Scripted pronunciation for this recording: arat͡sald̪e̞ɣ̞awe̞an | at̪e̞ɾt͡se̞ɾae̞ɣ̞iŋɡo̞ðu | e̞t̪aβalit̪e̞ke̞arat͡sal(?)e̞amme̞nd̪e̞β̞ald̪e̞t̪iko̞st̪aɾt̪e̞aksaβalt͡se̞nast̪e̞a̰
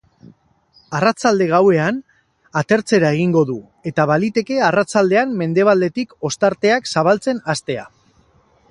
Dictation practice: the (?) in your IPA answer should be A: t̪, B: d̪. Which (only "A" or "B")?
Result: B